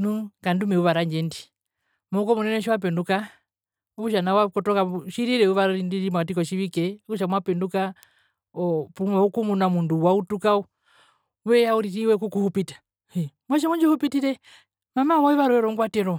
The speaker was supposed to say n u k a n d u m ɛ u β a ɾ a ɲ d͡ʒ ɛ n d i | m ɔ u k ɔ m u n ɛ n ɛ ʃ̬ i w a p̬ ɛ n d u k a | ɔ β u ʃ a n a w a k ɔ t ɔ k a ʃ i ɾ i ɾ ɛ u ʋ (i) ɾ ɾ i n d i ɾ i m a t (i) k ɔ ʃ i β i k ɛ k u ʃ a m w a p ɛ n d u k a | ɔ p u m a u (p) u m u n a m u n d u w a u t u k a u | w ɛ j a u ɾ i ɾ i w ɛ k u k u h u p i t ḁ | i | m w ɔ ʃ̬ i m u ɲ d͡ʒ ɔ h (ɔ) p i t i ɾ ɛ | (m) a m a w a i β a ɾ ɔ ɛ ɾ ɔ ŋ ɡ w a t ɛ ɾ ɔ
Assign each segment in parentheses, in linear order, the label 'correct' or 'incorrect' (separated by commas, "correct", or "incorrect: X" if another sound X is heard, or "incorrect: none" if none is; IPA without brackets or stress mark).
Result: incorrect: a, correct, incorrect: k, incorrect: u, correct